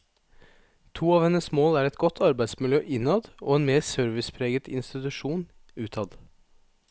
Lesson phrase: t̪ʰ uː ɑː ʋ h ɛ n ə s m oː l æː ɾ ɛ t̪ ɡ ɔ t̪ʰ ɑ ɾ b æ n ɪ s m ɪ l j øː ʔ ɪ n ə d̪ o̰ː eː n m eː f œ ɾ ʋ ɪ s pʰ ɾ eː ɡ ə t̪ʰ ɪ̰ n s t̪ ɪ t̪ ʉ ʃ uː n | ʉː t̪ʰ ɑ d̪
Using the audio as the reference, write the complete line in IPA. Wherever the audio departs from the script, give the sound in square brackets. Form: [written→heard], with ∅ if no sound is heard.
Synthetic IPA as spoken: t̪ʰ uː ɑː ʋ h ɛ n ə s m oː l æː ɾ ɛ t̪ ɡ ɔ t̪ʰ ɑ ɾ b æ [n→∅] ɪ s m ɪ l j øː ʔ ɪ n [ə→ɑ] d̪ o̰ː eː n m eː [f→s] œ ɾ ʋ ɪ s pʰ ɾ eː ɡ ə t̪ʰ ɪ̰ n s t̪ ɪ t̪ ʉ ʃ uː n | ʉː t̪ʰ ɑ d̪

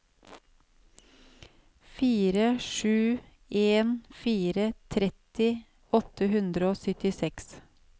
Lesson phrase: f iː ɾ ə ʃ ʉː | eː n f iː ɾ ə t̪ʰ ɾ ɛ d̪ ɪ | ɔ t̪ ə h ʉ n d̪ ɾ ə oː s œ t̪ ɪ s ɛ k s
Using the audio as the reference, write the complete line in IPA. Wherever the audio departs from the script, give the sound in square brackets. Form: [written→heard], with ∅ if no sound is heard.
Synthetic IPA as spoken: f iː ɾ ə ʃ ʉː | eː n f iː ɾ ə t̪ʰ ɾ ɛ [d̪→t̪] ɪ | ɔ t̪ ə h ʉ n d̪ ɾ ə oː s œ t̪ ɪ s ɛ k s

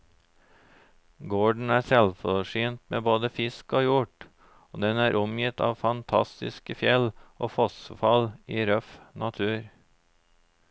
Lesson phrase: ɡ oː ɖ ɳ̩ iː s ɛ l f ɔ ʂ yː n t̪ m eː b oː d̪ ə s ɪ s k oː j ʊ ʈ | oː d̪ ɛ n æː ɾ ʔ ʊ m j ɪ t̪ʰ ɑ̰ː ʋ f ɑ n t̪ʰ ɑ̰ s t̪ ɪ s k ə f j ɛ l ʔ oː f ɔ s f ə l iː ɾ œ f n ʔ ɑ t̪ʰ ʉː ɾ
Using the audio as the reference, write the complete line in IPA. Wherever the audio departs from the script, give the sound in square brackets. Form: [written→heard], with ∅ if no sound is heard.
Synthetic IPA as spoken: ɡ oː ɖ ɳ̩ [iː→æː] s ɛ l f ɔ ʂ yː n t̪ m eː b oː d̪ ə [s→f] ɪ s k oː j ʊ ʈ | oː d̪ ɛ n æː ɾ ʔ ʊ m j ɪ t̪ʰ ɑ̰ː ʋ f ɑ n t̪ʰ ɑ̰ s t̪ ɪ s k ə f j ɛ l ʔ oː f ɔ s f [ə→ɑ] l iː ɾ œ f n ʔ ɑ t̪ʰ ʉː ɾ

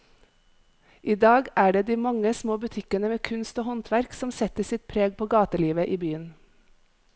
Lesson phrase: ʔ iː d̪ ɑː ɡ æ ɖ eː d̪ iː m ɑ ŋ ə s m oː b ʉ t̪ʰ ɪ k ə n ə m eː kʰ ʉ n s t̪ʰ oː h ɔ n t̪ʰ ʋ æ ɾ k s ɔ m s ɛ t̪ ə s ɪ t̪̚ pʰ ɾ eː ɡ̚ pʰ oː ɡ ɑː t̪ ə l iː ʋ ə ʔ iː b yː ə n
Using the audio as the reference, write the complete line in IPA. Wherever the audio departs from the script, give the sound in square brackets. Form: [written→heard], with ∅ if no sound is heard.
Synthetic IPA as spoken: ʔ iː d̪ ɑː ɡ [æ→æː] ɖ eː d̪ iː m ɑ ŋ ə s m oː b ʉ t̪ʰ ɪ k ə n ə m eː kʰ ʉ n s [t̪ʰ→t̪] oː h ɔ n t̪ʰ ʋ æ ɾ k s ɔ m s ɛ t̪ ə s ɪ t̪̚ pʰ ɾ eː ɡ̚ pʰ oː ɡ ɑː t̪ ə l iː ʋ ə ʔ iː b yː ə n

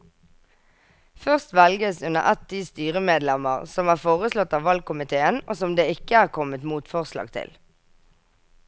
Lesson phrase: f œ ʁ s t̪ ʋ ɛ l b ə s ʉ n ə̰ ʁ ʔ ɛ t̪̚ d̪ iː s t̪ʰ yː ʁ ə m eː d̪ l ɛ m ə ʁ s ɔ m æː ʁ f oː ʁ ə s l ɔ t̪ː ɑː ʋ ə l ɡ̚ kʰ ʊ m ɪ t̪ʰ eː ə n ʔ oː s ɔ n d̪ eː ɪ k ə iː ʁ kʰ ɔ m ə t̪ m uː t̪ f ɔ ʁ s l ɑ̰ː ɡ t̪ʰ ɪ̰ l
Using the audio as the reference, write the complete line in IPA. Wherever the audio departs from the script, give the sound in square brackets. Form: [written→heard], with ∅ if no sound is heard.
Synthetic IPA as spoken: f œ ʁ s t̪ ʋ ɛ l [b→ɡ] ə s ʉ n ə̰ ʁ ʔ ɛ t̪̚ d̪ iː s [t̪ʰ→t̪] yː ʁ ə m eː d̪ l ɛ m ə ʁ s ɔ m æː ʁ f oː ʁ ə s l ɔ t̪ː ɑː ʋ [ə→ɑ] l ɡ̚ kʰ ʊ m ɪ t̪ʰ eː ə n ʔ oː s ɔ [n→m] d̪ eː ɪ k ə [iː→æː] ʁ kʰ ɔ m ə t̪ m uː t̪ f ɔ ʁ s l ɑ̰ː ɡ t̪ʰ ɪ̰ l

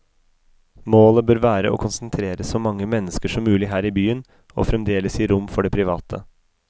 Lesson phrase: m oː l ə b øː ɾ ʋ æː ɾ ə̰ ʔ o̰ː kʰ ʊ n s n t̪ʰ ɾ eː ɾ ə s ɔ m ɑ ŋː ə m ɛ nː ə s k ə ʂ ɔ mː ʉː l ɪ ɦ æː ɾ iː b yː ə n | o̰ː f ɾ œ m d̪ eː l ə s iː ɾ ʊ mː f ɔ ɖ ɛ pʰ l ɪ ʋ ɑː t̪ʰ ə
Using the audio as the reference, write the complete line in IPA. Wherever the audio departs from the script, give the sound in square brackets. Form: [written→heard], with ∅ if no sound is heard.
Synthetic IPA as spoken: m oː l ə b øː ɾ ʋ æː ɾ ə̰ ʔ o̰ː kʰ ʊ n s n t̪ʰ ɾ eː ɾ ə s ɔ m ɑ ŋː ə m ɛ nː ə s k ə ʂ ɔ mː ʉː l ɪ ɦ æː ɾ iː b yː ə n | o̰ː f ɾ [œ→ɛ] m d̪ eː l ə s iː ɾ ʊ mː f ɔ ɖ ɛ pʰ [l→ɾ] ɪ ʋ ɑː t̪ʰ ə

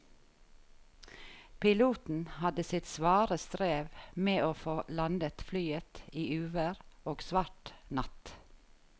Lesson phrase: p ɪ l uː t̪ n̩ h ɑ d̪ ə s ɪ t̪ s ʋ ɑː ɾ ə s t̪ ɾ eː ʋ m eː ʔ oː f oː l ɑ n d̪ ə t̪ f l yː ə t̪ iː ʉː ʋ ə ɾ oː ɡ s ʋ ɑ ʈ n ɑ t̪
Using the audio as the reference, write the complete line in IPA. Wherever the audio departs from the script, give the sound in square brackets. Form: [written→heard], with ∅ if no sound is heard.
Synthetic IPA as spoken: p ɪ l uː t̪ n̩ h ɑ d̪ ə s ɪ t̪ s ʋ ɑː ɾ ə s t̪ ɾ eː ʋ m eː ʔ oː f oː l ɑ n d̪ ə t̪ f l yː ə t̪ iː ʉː ʋ ə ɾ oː ɡ s ʋ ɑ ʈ n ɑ t̪

